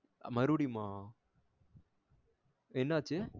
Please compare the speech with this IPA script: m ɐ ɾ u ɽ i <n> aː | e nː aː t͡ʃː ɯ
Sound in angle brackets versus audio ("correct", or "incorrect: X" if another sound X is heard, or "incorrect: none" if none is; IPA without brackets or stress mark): incorrect: m